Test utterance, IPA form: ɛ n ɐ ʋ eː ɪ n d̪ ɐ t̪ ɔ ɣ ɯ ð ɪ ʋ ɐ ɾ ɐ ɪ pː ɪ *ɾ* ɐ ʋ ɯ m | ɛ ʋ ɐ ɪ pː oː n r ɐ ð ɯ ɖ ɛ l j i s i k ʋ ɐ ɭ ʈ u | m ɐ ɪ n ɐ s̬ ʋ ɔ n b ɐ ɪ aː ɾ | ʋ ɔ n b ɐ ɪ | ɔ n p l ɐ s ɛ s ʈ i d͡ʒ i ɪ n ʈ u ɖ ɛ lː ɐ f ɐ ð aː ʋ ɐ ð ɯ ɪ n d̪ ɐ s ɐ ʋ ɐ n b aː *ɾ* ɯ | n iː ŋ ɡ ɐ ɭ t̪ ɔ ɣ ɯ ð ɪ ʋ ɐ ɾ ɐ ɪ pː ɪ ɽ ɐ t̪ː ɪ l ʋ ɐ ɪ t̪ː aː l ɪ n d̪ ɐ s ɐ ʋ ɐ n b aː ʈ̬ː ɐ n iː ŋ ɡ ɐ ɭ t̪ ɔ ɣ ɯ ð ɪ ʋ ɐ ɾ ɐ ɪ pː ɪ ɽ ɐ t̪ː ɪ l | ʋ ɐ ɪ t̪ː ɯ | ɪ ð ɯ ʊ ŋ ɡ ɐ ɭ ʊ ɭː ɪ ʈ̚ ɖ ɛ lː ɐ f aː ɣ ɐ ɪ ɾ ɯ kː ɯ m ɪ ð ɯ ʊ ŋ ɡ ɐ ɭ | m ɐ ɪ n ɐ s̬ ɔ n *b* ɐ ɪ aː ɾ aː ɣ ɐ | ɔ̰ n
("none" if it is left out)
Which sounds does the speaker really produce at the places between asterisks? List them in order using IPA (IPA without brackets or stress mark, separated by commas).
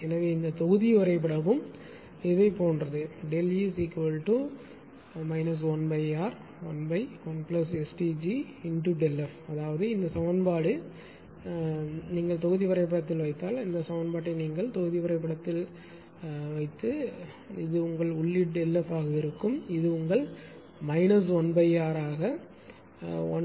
ɽ, ɽ, b